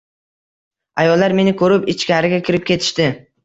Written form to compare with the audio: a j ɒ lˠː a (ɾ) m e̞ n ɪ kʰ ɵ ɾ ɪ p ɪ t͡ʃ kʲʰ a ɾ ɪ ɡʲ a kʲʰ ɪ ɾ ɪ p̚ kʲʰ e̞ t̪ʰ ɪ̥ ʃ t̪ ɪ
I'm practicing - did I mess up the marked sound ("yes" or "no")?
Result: no